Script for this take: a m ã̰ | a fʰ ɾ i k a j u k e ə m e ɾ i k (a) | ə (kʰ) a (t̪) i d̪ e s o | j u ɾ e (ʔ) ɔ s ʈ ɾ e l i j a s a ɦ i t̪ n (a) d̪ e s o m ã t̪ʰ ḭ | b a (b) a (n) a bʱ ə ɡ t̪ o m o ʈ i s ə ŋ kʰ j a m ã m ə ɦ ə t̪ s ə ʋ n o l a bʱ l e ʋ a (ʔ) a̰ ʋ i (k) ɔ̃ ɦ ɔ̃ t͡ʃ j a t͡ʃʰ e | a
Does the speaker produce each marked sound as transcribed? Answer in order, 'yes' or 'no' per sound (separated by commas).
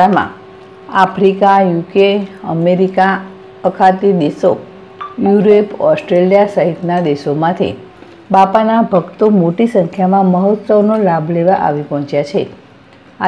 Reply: yes, yes, yes, no, yes, no, yes, yes, no